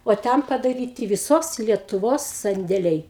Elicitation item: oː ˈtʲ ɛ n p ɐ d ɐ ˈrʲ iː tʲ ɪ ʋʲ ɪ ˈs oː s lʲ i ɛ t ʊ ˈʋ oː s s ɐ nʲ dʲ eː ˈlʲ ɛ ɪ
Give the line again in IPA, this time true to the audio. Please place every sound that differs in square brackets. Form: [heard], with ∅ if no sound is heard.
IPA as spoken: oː ˈtʲ ɛ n p ɐ d ɐ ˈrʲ iː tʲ ɪ ʋʲ ɪ ˈs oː s lʲ i ɛ t ʊ ˈʋ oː s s ɐ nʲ dʲ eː ˈlʲ ɛ ɪ